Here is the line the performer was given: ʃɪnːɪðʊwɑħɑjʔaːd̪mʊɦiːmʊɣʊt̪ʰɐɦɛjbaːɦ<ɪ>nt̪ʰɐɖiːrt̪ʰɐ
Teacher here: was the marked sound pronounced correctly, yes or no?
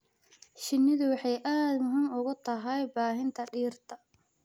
yes